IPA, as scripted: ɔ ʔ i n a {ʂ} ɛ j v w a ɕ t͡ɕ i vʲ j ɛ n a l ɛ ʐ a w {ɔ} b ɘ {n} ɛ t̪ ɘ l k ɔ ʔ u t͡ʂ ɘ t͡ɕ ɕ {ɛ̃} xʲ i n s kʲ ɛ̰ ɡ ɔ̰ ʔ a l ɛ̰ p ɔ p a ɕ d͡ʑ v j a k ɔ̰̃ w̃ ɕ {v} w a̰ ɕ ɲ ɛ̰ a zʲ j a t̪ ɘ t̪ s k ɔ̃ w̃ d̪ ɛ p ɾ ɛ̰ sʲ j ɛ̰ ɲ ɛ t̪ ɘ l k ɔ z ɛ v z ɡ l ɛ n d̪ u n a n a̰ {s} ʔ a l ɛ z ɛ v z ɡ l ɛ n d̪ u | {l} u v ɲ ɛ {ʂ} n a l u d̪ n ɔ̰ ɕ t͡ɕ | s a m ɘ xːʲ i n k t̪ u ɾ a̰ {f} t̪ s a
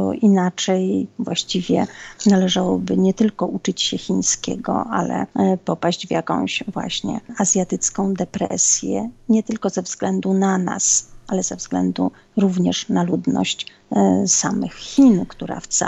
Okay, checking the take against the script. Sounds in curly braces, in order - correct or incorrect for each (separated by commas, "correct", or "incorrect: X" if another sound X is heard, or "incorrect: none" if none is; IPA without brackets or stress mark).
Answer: incorrect: t͡ʂ, correct, incorrect: ɲ, incorrect: ɛ, correct, correct, incorrect: ɾ, correct, correct